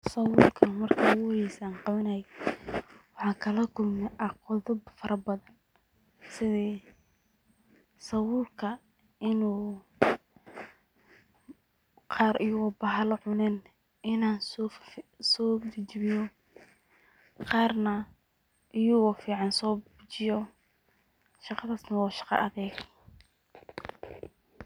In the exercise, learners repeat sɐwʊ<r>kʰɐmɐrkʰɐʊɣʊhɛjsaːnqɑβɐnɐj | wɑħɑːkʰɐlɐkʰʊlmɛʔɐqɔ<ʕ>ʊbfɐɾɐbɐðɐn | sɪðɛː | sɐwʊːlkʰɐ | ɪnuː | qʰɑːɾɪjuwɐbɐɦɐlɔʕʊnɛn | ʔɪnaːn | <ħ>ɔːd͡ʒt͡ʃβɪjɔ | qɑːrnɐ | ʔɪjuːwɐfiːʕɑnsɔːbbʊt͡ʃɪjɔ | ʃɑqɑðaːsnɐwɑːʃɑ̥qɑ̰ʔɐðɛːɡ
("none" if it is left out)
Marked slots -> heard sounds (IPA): l, ð, s

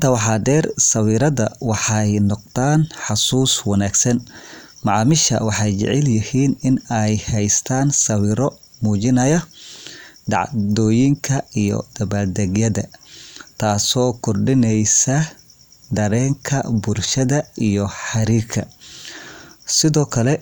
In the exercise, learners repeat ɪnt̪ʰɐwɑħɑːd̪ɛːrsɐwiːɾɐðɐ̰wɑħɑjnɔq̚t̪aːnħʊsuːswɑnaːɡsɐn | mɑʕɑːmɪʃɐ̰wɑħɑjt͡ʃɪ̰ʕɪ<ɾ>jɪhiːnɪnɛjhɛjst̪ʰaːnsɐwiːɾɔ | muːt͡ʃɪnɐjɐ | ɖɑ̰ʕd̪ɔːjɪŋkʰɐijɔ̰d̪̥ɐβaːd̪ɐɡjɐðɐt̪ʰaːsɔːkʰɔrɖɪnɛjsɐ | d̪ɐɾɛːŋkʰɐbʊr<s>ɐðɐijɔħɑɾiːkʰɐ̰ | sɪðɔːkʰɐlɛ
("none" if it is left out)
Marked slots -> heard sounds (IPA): l, ʃ

